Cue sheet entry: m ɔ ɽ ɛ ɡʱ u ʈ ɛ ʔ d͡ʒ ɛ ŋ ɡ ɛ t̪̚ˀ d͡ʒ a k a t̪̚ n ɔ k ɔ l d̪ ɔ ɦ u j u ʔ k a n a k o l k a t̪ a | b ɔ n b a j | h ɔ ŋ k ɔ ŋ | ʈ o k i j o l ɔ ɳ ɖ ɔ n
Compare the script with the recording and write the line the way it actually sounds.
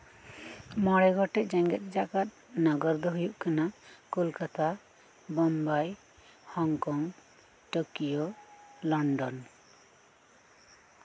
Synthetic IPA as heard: m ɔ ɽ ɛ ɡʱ ɔ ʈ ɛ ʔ d͡ʒ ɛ ŋ ɡ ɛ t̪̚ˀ d͡ʒ a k a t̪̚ n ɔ ɡ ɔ ɾ d̪ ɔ ɦ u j u ʔ k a n a k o l k a t̪ a | b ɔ m b a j | h ɔ ŋ k ɔ ŋ | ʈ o k i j o l ɔ ɳ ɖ ɔ n